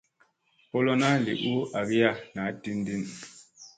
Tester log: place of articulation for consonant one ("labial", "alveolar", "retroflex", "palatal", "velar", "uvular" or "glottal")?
labial